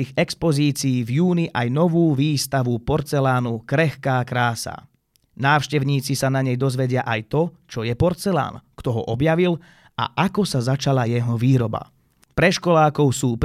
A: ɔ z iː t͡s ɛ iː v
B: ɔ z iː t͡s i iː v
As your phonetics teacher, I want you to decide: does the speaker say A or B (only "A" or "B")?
B